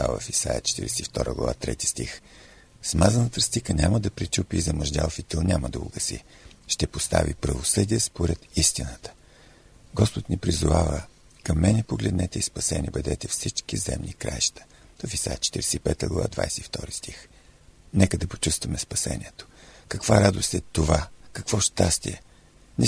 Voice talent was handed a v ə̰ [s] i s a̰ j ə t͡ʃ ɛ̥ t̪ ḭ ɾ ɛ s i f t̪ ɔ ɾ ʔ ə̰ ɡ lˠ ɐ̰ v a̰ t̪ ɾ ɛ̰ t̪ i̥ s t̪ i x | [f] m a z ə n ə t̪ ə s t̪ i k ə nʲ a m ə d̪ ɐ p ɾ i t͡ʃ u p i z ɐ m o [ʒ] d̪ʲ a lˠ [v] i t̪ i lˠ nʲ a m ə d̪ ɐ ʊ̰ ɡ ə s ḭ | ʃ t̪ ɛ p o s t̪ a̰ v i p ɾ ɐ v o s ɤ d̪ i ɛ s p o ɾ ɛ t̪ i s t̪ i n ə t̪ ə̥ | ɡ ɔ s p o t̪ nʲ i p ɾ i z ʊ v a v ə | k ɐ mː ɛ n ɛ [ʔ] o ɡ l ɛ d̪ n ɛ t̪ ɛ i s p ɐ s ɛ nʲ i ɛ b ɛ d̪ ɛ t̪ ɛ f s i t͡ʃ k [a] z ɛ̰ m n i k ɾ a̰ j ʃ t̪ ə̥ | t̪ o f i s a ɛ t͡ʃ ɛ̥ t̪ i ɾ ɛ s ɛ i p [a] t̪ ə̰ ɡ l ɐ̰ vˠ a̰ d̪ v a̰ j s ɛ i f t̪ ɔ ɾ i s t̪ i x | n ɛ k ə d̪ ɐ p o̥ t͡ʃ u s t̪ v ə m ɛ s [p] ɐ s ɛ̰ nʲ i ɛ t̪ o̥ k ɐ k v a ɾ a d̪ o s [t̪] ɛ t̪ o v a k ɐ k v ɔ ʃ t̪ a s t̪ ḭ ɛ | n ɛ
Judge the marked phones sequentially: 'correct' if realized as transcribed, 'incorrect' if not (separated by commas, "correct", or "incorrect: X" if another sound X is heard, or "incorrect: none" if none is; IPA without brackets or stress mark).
incorrect: f, incorrect: s, correct, incorrect: f, incorrect: p, incorrect: i, incorrect: ɛ, correct, correct